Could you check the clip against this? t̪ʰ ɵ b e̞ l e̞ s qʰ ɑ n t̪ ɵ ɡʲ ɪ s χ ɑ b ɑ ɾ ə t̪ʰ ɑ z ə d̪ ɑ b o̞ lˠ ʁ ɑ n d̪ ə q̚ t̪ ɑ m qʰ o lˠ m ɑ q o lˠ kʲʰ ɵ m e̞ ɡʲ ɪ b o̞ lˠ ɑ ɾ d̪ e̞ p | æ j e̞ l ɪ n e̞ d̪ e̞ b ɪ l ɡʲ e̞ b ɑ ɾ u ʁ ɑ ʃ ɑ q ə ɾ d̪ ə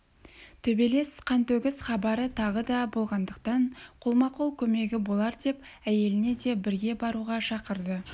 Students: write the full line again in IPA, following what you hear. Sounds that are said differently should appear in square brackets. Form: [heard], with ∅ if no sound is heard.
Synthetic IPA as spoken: t̪ʰ ɵ b e̞ l e̞ s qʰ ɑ n t̪ ɵ ɡʲ ɪ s χ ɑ b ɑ ɾ ə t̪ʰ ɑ [ʁ] ə d̪ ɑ b o̞ lˠ ʁ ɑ n d̪ ə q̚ t̪ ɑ [ɴ] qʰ o lˠ m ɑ q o lˠ kʲʰ ɵ m e̞ ɡʲ ɪ b o̞ lˠ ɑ ɾ d̪ e̞ p | æ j e̞ l ɪ n e̞ d̪ e̞ b ɪ [ɾ] ɡʲ e̞ b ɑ ɾ u ʁ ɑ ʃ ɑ q ə ɾ d̪ ə